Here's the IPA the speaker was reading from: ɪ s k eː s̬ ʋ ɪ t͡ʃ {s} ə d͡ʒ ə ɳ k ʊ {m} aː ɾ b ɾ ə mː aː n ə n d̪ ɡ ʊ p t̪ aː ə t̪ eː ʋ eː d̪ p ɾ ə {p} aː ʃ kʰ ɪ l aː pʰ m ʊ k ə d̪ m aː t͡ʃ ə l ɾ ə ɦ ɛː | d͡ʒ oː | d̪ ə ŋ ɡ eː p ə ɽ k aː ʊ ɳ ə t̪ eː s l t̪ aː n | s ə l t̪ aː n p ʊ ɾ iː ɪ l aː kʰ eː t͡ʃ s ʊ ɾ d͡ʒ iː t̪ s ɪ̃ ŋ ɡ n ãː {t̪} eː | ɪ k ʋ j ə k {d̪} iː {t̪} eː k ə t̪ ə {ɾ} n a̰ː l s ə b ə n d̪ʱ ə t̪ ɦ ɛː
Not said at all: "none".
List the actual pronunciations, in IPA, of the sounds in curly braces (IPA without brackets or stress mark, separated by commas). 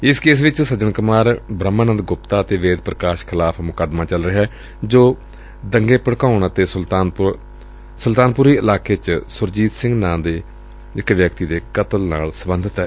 s, m, k, d̪, t̪, d̪, l